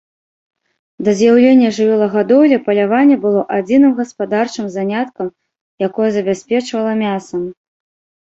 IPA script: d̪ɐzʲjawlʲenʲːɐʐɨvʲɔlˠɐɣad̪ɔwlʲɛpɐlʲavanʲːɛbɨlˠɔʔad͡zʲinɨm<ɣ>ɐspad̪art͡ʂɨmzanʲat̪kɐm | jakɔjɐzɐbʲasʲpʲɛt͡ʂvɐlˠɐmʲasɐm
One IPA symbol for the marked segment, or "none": ɣ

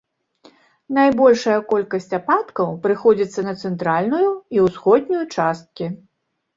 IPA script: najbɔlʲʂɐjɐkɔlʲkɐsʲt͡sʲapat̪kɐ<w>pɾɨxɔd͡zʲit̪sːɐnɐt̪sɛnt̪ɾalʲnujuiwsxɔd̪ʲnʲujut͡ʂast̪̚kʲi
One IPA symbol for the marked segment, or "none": w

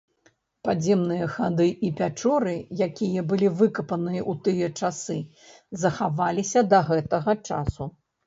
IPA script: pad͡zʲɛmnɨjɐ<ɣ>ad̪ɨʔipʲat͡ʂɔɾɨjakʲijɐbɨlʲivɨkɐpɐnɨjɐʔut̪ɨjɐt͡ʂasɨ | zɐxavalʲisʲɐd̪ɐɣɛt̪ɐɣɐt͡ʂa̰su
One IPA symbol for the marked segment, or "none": x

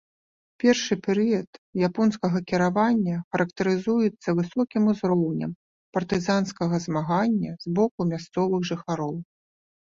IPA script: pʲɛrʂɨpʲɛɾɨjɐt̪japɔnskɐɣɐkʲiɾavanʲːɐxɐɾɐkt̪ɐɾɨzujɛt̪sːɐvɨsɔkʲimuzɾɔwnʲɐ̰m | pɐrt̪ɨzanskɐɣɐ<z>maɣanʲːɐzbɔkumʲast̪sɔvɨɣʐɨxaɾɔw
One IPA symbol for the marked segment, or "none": z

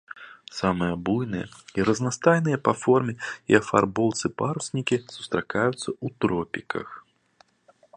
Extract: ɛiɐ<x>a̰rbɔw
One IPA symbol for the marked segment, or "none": f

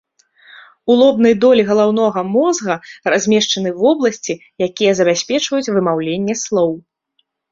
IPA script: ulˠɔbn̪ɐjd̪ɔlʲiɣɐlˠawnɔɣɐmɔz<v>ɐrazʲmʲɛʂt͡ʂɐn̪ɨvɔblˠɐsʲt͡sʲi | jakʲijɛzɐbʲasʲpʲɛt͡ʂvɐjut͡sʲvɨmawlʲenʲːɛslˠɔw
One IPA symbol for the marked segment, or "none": ɣ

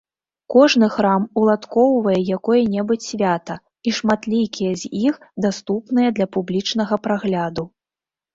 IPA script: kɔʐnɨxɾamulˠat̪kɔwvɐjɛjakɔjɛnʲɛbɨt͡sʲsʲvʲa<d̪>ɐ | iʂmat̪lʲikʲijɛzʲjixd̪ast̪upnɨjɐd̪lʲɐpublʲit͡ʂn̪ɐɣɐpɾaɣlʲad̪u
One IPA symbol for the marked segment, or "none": t̪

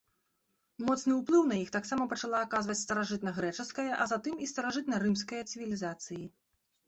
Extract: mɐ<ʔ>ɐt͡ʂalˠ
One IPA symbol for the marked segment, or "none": p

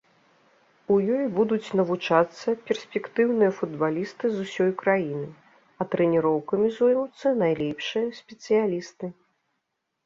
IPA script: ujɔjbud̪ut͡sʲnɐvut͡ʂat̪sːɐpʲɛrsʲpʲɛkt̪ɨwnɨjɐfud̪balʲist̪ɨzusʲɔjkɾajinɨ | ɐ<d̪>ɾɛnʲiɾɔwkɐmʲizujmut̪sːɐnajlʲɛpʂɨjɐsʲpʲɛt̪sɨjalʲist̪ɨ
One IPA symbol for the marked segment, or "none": t̪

